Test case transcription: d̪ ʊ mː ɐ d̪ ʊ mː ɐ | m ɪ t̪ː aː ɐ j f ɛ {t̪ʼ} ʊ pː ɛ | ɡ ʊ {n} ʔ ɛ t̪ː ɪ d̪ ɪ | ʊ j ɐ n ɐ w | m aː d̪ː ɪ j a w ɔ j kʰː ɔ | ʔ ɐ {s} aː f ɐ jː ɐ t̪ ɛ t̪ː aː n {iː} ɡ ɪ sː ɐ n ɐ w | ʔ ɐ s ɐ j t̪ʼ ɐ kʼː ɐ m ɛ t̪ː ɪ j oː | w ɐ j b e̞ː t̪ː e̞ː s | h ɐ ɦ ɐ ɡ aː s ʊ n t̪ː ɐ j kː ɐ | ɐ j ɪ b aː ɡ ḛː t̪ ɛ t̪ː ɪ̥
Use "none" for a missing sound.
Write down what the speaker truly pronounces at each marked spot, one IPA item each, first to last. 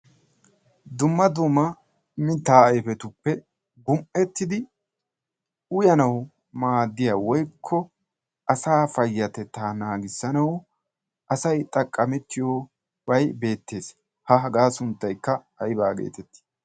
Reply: t̪, m, s, aː

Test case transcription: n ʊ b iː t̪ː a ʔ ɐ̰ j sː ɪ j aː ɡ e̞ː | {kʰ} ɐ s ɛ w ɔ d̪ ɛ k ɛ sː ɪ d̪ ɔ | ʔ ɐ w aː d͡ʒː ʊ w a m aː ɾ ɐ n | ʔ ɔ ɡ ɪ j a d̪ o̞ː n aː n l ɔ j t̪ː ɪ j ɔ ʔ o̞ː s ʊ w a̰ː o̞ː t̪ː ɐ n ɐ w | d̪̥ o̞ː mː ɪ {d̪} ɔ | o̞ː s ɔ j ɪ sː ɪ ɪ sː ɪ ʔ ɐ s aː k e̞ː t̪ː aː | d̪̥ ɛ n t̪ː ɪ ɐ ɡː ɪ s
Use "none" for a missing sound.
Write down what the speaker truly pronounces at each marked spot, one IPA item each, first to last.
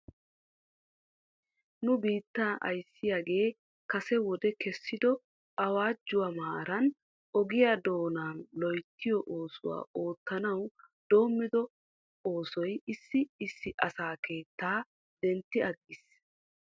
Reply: k, d̪

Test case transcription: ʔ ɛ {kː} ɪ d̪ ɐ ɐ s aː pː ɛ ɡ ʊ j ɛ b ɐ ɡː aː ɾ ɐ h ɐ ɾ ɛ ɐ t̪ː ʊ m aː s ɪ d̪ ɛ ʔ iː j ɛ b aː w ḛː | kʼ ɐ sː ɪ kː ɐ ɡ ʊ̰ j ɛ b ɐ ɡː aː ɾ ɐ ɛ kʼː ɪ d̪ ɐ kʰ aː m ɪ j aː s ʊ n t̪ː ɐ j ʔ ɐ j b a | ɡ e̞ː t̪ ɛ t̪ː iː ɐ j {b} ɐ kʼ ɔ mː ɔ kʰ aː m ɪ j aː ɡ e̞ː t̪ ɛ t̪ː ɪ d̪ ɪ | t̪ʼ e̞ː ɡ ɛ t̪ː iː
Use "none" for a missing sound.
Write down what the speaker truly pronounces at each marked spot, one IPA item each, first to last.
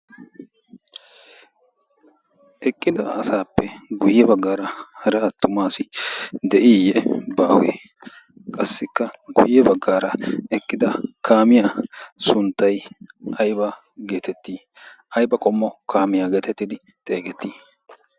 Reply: kʼː, b

